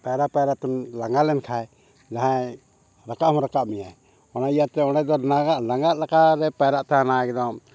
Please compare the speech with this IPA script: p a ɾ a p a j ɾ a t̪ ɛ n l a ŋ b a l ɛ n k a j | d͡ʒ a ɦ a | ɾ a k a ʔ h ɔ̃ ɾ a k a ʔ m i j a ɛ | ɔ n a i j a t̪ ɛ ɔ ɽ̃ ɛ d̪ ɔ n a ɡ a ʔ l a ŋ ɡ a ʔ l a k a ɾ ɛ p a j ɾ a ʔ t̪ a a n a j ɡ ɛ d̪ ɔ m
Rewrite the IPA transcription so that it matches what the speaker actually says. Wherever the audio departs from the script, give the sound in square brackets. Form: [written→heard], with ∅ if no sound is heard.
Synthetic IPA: p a ɾ a p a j ɾ a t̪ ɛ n l a ŋ [b→ɡ] a l ɛ n [k→kʰ] a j | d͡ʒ a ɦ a | ɾ a k a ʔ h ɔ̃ ɾ a k a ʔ m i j a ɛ | ɔ n a i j a t̪ ɛ ɔ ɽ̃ ɛ d̪ ɔ n a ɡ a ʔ l a ŋ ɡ a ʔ l a k a ɾ ɛ p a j ɾ a ʔ t̪ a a n a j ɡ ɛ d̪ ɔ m

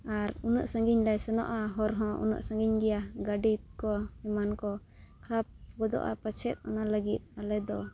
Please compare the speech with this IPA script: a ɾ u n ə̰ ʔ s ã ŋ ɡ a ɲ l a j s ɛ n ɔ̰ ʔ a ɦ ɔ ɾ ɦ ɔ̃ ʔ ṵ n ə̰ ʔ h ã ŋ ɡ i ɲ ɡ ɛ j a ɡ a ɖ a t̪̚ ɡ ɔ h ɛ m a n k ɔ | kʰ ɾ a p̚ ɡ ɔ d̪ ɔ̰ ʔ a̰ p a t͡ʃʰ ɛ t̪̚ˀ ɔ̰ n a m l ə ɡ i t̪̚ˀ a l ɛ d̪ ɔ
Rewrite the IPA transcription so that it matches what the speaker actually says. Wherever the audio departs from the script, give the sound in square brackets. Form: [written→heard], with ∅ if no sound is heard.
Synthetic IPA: a ɾ u n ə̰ ʔ s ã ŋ ɡ [a→i] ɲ l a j s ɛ n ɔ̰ ʔ a ɦ ɔ ɾ ɦ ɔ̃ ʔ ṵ n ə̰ ʔ [h→s] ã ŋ ɡ i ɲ ɡ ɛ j a ɡ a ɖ [a→i] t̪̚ [ɡ→k] ɔ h ɛ m a n k ɔ | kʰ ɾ a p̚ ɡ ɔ d̪ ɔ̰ ʔ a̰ p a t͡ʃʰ ɛ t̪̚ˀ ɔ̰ n a [m→∅] l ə ɡ i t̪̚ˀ a l ɛ d̪ ɔ

